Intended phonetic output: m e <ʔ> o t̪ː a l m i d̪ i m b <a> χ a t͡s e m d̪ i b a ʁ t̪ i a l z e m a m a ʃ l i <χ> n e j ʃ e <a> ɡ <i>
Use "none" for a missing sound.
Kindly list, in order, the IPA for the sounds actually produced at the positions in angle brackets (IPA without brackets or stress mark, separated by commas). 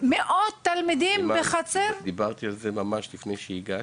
ʔ, e, f, i, a